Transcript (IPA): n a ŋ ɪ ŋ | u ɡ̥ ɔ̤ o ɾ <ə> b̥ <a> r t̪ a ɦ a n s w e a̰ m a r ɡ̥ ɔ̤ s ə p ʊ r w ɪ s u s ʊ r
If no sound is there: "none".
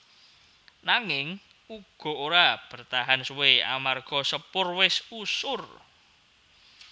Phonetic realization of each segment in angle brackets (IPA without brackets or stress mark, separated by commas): a, ə